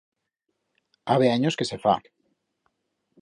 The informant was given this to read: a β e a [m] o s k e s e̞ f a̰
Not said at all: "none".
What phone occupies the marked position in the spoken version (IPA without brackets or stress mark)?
ɲ